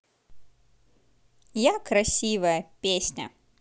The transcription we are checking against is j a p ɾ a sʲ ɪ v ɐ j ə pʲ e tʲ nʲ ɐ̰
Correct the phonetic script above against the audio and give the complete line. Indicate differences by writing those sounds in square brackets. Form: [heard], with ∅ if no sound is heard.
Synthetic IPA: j a [k] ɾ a sʲ [i] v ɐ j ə pʲ e [sʲ] nʲ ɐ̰